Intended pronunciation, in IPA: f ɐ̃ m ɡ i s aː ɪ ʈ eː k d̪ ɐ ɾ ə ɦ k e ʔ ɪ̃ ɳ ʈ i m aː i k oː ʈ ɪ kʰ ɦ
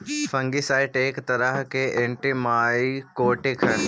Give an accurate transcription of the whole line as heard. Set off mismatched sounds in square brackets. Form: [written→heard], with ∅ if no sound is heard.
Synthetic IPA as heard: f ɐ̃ [m→ŋ] ɡ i s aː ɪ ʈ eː k [d̪→t̪] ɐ ɾ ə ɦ k e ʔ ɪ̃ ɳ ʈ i m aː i k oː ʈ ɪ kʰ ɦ